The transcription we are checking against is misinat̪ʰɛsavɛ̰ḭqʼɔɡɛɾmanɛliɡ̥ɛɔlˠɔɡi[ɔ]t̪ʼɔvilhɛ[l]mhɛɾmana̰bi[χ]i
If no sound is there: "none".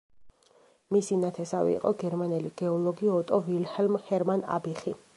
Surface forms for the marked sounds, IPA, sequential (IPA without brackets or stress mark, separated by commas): ɔ, l, χ